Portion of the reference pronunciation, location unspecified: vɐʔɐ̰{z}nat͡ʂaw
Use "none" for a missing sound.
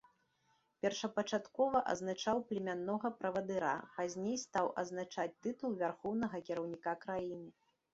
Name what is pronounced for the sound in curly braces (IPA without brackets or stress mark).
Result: z